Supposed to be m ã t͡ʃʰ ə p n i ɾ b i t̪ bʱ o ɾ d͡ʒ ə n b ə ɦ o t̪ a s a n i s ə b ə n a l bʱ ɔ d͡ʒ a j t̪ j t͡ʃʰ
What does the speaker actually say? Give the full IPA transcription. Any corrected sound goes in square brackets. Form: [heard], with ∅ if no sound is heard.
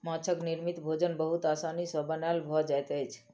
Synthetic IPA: m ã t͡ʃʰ ə [k] n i ɾ [m] i t̪ bʱ o [∅] d͡ʒ ə n b ə ɦ [u] t̪ a s a n i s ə b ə n a l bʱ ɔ d͡ʒ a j t̪ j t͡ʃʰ